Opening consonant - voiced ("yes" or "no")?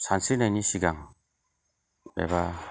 no